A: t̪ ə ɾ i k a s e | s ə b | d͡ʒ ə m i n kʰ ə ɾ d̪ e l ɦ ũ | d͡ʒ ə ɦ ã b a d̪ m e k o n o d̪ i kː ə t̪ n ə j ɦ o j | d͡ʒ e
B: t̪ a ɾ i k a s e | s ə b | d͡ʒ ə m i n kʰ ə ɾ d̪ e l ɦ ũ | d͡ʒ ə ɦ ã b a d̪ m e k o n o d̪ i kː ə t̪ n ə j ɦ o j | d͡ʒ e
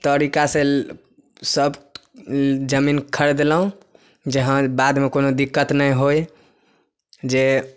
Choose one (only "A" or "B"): A